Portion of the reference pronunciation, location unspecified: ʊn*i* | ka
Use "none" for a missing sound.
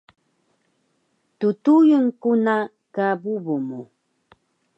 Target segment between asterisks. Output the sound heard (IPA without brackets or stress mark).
a